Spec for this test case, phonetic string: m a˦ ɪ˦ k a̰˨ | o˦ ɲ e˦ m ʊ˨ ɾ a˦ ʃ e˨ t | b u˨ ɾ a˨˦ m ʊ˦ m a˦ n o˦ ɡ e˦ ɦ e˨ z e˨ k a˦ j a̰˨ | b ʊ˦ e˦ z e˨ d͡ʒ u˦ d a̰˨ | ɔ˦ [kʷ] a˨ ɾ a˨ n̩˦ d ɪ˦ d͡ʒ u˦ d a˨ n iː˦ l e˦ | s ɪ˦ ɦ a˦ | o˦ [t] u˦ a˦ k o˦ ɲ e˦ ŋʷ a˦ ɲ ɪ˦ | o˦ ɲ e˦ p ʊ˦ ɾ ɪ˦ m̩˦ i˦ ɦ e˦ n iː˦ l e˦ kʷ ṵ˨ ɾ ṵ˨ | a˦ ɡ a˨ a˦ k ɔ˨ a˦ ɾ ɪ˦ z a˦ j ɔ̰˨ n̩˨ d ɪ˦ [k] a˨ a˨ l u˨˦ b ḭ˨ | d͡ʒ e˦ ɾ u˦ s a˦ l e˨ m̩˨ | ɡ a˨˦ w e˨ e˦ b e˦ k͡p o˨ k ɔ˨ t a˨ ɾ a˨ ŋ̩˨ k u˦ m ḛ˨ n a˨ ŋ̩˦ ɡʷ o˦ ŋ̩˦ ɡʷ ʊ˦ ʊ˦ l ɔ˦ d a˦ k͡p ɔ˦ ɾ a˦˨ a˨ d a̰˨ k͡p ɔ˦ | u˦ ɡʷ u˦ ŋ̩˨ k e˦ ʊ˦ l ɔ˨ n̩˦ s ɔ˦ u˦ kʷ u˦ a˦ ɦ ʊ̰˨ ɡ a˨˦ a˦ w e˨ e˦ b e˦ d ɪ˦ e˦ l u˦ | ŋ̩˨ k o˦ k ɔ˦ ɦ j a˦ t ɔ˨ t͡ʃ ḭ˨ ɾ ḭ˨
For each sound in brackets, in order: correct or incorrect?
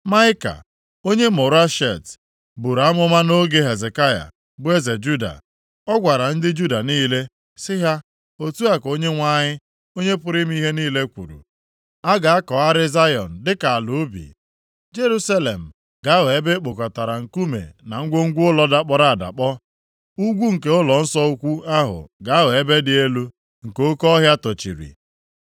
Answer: incorrect: ɡʷ, correct, correct

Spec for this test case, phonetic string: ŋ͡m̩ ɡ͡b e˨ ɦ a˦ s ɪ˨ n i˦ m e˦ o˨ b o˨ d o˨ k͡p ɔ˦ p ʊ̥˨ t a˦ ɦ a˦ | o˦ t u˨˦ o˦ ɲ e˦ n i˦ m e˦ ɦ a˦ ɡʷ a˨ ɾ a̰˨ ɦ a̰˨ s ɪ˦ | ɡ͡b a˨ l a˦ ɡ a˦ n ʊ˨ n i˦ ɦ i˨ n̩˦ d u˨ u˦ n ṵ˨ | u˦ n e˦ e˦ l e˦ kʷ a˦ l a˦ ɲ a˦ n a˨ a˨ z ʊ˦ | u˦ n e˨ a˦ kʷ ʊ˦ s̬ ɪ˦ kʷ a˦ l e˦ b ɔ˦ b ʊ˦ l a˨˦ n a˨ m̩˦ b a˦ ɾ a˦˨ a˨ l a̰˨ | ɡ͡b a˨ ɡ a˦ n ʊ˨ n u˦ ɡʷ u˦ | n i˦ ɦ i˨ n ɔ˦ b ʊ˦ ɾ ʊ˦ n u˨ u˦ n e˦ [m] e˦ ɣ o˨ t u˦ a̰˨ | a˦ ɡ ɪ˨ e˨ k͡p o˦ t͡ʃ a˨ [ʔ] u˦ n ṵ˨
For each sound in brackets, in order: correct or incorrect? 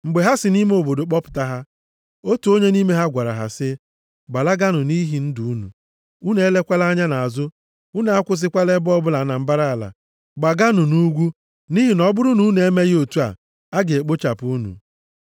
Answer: correct, incorrect: p

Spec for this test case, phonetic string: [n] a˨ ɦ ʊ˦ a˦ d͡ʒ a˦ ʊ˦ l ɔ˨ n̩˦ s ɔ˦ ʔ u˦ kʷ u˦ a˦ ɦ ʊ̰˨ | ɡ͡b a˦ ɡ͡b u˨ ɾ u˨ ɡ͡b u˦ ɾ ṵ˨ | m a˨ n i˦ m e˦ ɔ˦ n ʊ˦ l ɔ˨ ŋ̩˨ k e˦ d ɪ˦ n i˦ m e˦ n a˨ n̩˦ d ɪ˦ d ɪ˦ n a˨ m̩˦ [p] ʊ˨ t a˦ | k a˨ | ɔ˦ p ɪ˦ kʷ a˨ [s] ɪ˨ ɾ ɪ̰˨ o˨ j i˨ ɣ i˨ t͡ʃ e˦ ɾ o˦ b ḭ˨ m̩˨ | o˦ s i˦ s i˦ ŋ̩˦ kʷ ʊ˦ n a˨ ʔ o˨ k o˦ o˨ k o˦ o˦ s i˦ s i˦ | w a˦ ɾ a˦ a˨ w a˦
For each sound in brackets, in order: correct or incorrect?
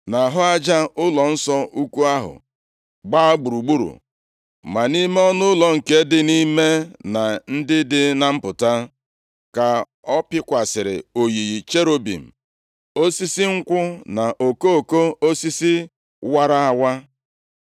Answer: correct, correct, correct

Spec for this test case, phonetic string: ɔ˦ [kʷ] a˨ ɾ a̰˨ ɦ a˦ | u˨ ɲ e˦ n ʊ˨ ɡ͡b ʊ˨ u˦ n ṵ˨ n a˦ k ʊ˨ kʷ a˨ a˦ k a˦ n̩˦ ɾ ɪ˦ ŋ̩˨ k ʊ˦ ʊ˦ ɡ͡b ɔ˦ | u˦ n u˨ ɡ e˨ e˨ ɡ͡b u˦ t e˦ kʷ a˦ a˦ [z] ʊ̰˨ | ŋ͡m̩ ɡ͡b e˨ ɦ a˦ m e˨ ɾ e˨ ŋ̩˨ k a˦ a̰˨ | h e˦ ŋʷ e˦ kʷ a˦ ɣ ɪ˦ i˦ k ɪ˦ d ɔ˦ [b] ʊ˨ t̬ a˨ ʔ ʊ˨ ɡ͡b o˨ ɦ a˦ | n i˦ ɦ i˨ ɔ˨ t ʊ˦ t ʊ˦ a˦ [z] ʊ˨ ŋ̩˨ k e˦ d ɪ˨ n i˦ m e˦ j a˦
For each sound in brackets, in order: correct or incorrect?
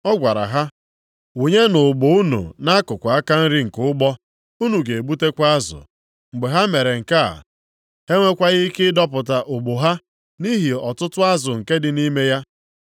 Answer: incorrect: ɡʷ, correct, incorrect: p, correct

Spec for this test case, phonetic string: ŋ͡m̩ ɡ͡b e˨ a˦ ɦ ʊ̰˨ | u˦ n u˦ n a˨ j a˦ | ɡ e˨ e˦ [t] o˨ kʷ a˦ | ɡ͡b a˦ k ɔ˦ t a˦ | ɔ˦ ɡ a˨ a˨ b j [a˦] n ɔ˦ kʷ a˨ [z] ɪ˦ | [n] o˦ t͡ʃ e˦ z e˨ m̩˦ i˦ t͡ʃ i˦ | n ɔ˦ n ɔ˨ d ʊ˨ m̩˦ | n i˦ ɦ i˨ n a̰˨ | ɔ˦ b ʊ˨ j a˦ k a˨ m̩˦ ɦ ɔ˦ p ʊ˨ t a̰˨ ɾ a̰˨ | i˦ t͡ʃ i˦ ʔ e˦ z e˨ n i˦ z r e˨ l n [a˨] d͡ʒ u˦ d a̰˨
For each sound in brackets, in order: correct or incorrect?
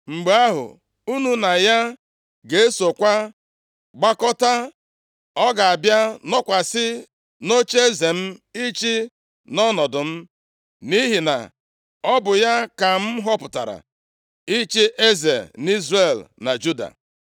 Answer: incorrect: s, correct, incorrect: s, correct, correct

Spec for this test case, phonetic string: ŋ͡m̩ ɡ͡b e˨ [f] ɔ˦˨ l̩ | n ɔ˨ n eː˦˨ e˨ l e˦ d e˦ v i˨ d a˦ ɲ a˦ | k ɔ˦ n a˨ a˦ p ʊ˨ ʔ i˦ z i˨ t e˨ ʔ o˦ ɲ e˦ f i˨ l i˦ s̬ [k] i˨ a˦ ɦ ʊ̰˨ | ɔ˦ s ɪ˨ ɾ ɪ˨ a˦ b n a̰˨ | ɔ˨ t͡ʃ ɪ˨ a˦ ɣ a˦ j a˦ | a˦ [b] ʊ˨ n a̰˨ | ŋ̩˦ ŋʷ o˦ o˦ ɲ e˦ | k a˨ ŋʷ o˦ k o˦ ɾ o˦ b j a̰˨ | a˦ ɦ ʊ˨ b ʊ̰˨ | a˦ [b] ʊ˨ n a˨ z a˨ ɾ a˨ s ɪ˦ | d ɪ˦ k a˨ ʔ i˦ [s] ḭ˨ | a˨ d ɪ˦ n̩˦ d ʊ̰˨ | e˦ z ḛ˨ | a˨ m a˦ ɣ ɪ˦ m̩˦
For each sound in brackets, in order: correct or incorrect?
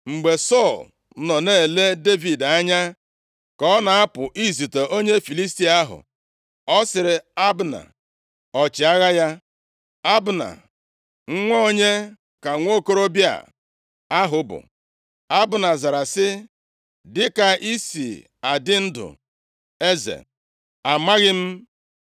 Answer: incorrect: s, incorrect: t, correct, correct, correct

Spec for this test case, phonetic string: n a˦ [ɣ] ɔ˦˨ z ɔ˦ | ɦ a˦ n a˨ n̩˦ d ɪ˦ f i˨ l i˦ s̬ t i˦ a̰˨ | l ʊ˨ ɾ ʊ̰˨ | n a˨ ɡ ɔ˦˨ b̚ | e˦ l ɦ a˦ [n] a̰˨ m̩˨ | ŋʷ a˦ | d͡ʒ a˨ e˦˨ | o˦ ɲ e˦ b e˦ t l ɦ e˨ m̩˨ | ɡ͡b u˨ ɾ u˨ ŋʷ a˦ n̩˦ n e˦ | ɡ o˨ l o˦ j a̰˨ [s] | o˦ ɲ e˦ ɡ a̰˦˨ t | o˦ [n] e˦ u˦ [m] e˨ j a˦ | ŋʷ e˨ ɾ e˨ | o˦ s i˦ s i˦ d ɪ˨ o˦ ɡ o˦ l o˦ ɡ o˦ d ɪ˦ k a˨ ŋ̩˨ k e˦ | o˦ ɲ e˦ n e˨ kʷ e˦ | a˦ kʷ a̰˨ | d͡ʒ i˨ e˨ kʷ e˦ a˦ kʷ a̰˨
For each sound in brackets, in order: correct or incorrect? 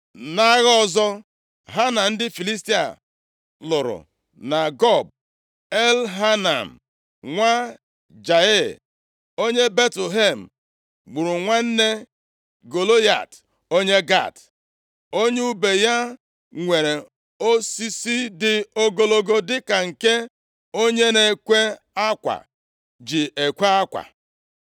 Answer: correct, correct, incorrect: t, incorrect: ɲ, incorrect: b

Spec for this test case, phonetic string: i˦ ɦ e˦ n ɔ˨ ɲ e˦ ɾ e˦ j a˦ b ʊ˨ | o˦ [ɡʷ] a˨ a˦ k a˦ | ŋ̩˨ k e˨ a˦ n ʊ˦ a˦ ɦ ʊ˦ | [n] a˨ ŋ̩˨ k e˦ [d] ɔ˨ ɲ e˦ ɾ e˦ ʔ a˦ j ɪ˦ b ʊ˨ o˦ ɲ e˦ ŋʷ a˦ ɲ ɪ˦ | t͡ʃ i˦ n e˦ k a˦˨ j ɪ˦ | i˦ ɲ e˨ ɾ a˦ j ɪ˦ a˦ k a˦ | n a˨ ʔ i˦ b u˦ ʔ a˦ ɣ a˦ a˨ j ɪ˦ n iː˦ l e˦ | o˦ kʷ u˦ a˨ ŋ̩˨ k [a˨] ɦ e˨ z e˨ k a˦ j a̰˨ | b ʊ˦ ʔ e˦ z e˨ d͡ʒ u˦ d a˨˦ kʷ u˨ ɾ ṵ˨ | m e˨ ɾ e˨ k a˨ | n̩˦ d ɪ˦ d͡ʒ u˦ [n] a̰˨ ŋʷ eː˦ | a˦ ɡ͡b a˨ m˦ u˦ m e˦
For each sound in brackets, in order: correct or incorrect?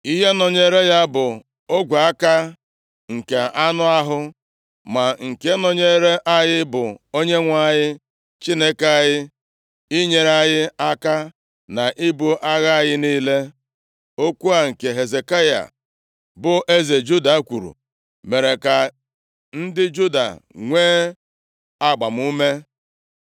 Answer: correct, incorrect: m, incorrect: n, incorrect: e˨, incorrect: d

